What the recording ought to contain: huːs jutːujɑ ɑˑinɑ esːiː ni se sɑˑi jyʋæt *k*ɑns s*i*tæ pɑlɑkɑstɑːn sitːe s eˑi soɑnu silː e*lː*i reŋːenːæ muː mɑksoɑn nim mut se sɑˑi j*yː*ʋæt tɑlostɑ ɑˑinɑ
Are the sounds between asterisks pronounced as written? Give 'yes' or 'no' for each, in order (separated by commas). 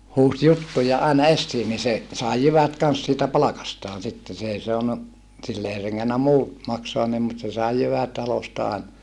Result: yes, no, no, no